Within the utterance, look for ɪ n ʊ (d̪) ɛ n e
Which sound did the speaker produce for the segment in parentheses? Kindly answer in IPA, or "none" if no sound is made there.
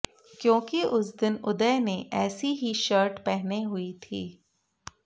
d̪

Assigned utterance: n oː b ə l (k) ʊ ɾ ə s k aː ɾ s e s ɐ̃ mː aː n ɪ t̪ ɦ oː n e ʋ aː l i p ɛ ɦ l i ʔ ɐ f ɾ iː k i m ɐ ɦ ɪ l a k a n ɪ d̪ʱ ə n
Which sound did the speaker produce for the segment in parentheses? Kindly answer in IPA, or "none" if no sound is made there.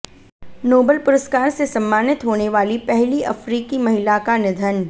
p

